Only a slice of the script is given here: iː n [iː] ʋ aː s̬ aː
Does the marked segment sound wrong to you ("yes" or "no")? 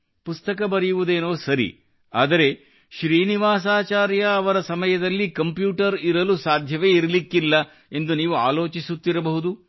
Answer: yes